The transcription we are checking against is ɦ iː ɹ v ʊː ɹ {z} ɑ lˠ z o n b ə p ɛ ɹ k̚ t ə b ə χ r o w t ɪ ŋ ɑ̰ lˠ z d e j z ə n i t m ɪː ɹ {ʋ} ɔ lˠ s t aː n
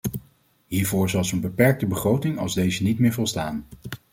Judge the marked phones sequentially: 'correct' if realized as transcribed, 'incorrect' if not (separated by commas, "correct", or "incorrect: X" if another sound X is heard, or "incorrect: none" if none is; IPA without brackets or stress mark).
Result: correct, incorrect: v